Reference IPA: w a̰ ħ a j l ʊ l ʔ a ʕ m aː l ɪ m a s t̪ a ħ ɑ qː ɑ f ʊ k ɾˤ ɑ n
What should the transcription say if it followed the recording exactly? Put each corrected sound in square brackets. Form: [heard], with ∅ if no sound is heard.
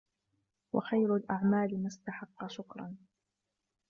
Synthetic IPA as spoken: w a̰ [x] a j [ɾ] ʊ l ʔ a ʕ m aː l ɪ m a s t̪ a ħ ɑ qː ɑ [ʃ] ʊ k ɾˤ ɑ n